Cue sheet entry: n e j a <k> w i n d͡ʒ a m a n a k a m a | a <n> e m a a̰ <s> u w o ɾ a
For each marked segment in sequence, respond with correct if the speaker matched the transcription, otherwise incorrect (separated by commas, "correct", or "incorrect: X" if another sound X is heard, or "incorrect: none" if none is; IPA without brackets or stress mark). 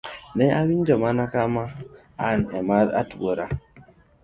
incorrect: none, correct, incorrect: t